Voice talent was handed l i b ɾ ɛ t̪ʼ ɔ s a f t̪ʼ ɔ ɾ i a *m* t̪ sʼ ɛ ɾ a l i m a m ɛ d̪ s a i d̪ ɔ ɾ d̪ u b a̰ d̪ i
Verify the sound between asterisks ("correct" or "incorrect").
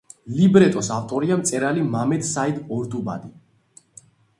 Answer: correct